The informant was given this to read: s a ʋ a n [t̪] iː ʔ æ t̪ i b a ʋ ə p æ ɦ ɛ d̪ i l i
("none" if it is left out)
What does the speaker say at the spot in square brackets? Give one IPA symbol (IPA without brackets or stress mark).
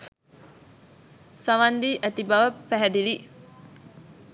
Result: d̪